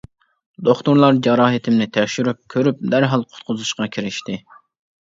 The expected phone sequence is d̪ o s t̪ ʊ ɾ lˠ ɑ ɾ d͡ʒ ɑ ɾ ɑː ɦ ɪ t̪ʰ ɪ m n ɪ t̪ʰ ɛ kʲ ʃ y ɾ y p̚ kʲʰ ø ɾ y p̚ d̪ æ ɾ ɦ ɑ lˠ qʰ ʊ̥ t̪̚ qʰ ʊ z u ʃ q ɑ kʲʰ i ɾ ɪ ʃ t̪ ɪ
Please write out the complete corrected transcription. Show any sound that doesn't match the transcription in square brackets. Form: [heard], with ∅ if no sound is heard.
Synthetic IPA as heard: d̪ o [χ] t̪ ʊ ɾ lˠ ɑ ɾ d͡ʒ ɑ ɾ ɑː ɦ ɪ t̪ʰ ɪ m n ɪ t̪ʰ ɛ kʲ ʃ y ɾ y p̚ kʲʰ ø ɾ y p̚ d̪ æ ɾ ɦ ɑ lˠ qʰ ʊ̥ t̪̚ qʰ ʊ z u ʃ q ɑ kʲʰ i ɾ ɪ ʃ t̪ ɪ